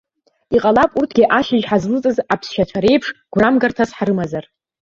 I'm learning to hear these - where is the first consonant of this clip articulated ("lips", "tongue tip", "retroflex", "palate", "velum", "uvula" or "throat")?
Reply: uvula